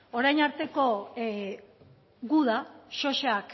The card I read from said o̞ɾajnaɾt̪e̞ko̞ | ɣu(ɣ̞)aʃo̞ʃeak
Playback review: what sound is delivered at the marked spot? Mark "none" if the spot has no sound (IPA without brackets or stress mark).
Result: ð̞